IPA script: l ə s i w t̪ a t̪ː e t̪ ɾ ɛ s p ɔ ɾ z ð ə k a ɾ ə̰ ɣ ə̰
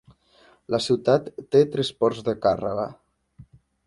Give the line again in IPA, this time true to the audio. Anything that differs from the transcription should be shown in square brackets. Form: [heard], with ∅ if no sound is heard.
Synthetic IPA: l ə s i w t̪ a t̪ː e t̪ ɾ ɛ s p ɔ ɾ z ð ə k a [r] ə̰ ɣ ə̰